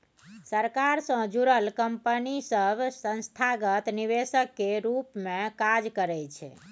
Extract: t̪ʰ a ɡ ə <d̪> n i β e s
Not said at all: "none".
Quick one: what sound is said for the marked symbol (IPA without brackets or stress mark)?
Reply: t̪